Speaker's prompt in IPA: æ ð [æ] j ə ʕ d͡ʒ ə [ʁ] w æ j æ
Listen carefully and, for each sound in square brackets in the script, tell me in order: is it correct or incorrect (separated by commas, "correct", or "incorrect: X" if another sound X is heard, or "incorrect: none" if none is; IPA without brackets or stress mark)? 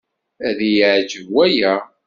incorrect: i, incorrect: v